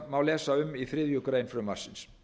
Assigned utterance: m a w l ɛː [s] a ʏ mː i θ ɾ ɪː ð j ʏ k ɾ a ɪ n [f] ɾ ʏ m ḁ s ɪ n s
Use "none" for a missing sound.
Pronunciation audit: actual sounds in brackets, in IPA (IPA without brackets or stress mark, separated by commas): s, f